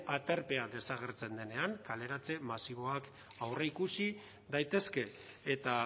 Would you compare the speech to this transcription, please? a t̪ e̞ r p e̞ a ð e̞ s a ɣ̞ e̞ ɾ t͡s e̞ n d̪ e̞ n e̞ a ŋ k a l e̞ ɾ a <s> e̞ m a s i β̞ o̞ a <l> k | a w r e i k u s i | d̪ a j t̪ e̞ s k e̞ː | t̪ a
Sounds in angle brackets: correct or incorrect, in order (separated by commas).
incorrect, incorrect